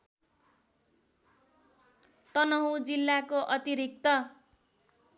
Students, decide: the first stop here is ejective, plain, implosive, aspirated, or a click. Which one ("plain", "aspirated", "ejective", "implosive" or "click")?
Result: plain